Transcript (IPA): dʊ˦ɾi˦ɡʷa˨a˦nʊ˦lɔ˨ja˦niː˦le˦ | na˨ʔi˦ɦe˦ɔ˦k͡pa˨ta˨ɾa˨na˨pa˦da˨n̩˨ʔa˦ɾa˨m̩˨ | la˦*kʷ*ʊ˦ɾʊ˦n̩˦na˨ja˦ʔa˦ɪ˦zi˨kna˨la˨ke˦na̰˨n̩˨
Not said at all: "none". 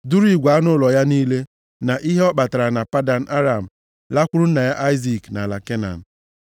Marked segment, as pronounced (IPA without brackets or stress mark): kʷ